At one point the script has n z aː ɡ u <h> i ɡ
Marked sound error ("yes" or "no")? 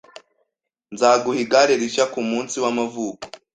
no